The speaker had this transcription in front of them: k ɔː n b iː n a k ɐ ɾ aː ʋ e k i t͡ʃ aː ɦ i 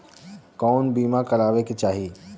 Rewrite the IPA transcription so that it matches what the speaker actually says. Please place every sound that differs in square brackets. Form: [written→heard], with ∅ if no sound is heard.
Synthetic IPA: k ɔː n b iː [n→m] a k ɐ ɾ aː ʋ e k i t͡ʃ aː ɦ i